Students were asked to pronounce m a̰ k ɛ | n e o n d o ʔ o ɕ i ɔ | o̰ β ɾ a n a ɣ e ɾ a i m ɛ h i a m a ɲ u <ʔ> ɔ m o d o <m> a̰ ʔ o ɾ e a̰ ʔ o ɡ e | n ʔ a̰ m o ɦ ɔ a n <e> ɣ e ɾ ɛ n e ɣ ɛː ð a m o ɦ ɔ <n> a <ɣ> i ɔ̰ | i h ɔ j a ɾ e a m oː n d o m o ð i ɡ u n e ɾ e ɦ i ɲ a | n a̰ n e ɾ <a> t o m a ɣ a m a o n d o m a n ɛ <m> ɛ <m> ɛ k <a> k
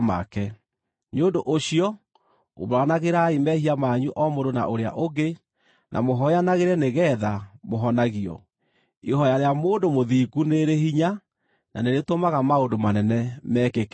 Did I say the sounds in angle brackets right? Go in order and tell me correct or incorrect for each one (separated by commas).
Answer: correct, incorrect, incorrect, correct, correct, incorrect, incorrect, correct, incorrect